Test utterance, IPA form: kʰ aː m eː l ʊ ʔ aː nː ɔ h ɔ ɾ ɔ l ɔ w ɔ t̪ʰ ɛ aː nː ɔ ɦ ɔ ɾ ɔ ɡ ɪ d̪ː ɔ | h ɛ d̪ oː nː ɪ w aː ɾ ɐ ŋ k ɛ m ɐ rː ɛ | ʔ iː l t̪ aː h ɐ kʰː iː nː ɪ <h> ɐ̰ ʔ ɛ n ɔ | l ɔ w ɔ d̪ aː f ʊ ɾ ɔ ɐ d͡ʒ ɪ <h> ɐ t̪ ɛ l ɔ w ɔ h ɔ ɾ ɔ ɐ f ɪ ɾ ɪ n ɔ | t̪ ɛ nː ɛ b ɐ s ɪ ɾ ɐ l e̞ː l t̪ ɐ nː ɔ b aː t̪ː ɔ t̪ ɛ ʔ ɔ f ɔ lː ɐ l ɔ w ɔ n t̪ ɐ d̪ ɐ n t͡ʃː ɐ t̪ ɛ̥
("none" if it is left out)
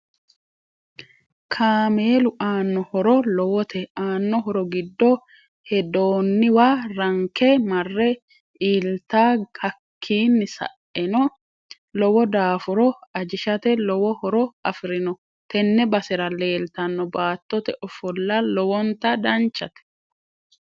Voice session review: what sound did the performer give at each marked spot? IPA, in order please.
s, ʃ

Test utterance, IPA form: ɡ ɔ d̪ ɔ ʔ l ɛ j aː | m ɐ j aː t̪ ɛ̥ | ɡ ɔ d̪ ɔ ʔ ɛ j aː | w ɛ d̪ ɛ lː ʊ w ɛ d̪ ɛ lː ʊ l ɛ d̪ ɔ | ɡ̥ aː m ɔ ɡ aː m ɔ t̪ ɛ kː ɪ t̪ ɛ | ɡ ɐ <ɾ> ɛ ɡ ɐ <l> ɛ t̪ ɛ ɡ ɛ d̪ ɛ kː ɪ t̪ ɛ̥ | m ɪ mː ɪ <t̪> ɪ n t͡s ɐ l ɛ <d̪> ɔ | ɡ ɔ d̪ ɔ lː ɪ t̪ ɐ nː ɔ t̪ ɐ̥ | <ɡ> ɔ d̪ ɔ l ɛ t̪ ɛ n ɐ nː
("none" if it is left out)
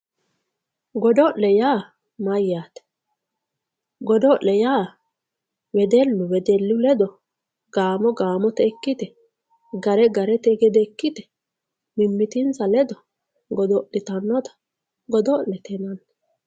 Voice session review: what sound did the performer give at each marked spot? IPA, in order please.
ɾ, ɾ, t̪, d̪, ɡ

